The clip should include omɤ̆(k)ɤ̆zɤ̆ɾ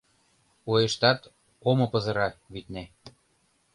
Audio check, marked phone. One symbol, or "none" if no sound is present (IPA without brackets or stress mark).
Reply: p